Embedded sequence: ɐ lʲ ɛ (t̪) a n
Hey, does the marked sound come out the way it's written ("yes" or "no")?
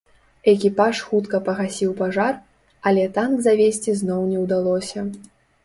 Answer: yes